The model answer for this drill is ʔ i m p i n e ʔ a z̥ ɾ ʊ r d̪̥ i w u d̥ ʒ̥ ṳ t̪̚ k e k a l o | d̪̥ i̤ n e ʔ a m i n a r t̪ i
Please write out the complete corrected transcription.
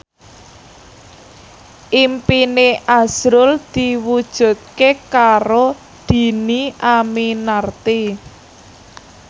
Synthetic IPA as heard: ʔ i m p i n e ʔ a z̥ ɾ ʊ l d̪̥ i w u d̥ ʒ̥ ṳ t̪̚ k e k a ɾ o | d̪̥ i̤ n i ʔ a m i n a r t̪ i